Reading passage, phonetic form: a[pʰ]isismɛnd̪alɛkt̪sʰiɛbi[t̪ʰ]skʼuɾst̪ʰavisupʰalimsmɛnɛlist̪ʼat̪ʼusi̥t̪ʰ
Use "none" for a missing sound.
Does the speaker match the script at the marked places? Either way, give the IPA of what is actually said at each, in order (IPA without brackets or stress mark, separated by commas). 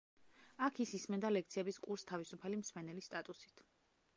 kʰ, none